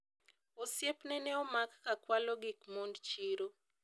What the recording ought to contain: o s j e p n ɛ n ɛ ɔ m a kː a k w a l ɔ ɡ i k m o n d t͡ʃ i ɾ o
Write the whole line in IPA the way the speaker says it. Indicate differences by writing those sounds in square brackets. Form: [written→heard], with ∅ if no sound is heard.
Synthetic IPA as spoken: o s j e p n ɛ n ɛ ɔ m a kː a k w a l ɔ ɡ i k m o n d t͡ʃ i ɾ o

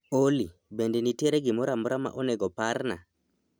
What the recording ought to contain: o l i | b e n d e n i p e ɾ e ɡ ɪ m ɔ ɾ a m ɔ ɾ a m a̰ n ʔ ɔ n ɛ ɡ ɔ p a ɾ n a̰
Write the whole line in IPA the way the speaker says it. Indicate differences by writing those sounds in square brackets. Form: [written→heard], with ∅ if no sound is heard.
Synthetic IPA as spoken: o l i | b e n d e n i [p→t] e ɾ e ɡ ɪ m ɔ ɾ a m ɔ ɾ a m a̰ [n→∅] ʔ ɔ n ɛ ɡ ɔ p a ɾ n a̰

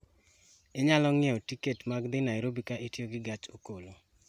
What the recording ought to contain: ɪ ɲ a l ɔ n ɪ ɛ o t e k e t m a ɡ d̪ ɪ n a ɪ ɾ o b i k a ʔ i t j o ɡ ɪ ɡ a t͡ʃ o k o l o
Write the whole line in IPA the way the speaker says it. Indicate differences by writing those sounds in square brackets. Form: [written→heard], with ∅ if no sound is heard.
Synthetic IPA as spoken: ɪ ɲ a l ɔ [n→ŋ] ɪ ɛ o t [e→i] k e t m a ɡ d̪ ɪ n a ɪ ɾ o b i k a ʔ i t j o ɡ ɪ ɡ a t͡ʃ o k o l o

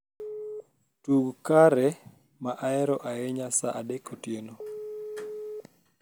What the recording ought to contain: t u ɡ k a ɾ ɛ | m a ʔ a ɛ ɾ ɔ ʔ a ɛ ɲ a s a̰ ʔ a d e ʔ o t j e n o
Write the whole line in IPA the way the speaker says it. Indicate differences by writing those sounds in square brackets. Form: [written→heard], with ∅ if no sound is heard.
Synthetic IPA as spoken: t u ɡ k a ɾ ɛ | m a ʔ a ɛ ɾ ɔ ʔ a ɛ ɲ a s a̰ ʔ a d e [ʔ→k] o t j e n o

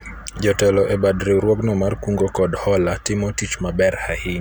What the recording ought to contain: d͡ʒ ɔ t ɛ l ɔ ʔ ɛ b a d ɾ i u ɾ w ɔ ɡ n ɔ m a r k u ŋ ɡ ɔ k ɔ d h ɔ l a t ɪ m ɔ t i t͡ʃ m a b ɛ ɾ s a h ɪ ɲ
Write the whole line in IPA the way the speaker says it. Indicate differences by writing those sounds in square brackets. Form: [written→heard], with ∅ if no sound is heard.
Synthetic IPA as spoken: d͡ʒ ɔ t ɛ l ɔ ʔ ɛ b a d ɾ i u ɾ w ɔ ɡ n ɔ m a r k u ŋ ɡ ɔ k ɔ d h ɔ l a t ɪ m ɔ t i t͡ʃ m a b ɛ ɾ [s→h] a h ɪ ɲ

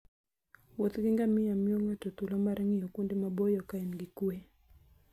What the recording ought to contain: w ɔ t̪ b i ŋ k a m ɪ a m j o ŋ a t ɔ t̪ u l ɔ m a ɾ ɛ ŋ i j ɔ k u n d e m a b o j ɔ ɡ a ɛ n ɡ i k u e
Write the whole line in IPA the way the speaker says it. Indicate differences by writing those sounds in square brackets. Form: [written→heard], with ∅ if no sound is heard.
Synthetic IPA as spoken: w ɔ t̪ [b→ɡ] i ŋ [k→ɡ] a m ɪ a m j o ŋ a t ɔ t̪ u l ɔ m a ɾ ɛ ŋ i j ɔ k u n d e m a b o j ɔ [ɡ→k] a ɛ n ɡ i k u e

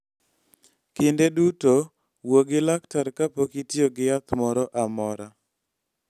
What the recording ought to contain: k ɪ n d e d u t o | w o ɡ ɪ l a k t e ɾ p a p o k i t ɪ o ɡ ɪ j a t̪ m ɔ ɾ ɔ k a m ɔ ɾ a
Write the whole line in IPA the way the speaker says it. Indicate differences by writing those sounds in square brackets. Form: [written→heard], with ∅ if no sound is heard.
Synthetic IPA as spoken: k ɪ n d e d u t o | w o ɡ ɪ l a k t [e→a] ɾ [p→k] a p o k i t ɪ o ɡ ɪ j a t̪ m ɔ ɾ ɔ [k→ʔ] a m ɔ ɾ a

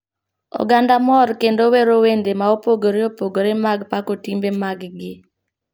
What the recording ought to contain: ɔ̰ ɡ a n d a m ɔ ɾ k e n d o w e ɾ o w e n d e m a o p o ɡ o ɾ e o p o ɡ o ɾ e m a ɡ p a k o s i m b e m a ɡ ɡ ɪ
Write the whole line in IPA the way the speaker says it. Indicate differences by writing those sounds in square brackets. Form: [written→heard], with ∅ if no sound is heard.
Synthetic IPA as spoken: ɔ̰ ɡ a n d a m ɔ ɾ k e n d o w e ɾ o w e n d e m a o p o ɡ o ɾ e o p o ɡ o ɾ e m a ɡ p a k o [s→t] i m b e m a ɡ ɡ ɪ

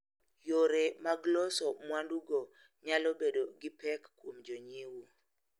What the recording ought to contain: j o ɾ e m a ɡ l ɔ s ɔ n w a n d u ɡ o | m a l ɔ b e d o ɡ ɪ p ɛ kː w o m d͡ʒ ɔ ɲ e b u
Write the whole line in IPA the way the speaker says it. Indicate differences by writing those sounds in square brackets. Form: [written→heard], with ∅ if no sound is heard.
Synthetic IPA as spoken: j o ɾ e m a ɡ l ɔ s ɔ [n→m] w a n d u ɡ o | [m→ɲ] a l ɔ b e d o ɡ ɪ p ɛ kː w o m d͡ʒ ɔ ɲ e [b→w] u

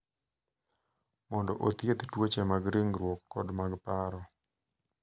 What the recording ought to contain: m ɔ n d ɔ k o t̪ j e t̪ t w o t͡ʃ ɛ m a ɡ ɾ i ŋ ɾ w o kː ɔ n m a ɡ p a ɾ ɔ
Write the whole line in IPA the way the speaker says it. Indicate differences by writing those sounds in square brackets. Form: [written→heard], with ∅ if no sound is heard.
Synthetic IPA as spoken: m ɔ n d ɔ [k→ʔ] o t̪ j e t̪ t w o t͡ʃ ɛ m a ɡ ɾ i ŋ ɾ w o kː ɔ [n→d] m a ɡ p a ɾ ɔ

